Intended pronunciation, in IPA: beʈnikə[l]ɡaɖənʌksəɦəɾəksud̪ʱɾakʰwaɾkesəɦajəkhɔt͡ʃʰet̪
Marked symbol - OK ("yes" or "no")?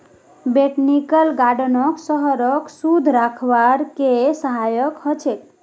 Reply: yes